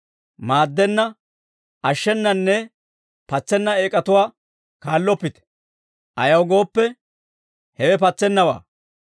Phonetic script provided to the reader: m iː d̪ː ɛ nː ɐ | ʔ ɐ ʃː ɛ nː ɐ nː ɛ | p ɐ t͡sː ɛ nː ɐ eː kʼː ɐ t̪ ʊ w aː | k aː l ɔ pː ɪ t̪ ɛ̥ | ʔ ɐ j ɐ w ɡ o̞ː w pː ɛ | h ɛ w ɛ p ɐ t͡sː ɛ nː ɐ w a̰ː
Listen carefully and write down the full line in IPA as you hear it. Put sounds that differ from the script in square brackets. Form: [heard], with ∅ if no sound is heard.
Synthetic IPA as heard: m [aː] d̪ː ɛ nː ɐ | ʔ ɐ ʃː ɛ nː ɐ nː ɛ | p ɐ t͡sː ɛ nː ɐ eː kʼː ɐ t̪ ʊ w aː | k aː [lː] ɔ pː ɪ t̪ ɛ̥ | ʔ ɐ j ɐ w ɡ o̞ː [∅] pː ɛ | h ɛ w ɛ p ɐ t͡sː ɛ nː ɐ w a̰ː